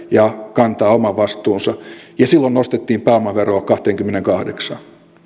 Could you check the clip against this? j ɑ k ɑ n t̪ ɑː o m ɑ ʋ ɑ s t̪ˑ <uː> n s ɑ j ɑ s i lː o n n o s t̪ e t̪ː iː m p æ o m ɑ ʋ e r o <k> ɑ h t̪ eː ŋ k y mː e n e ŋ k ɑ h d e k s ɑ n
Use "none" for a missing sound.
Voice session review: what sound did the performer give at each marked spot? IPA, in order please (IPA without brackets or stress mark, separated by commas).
uː, k